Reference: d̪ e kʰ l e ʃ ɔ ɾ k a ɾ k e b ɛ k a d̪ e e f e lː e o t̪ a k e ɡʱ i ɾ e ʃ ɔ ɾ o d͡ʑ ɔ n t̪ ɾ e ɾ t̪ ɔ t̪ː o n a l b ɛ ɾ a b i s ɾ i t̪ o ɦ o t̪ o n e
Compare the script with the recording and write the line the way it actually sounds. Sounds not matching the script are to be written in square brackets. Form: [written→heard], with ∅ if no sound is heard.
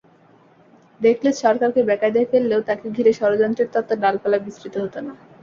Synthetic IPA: d̪ e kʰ l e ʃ ɔ ɾ k a ɾ k e b ɛ k a d̪ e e f e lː e o t̪ a k e ɡʱ i ɾ e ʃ ɔ ɾ o d͡ʑ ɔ n t̪ ɾ e ɾ t̪ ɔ t̪ː o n a l [b→p] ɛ [ɾ→l] a b i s ɾ i t̪ o ɦ o t̪ o n [e→a]